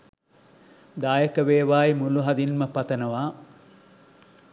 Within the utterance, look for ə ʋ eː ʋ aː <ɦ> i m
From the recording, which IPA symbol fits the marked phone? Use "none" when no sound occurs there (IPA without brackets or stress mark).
none